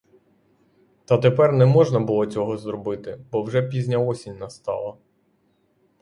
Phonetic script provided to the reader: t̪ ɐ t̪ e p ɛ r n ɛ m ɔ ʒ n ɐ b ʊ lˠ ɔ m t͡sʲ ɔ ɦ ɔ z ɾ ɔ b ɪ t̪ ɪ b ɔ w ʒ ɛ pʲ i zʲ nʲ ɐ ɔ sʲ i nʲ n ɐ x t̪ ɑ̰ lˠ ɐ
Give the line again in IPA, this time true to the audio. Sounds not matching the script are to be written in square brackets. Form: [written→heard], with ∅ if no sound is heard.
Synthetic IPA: t̪ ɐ t̪ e p ɛ r n ɛ m ɔ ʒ n ɐ b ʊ lˠ ɔ [m→∅] t͡sʲ ɔ ɦ ɔ z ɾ ɔ b ɪ t̪ ɪ b ɔ w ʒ ɛ pʲ i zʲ nʲ ɐ ɔ sʲ i nʲ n ɐ [x→s] t̪ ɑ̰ lˠ ɐ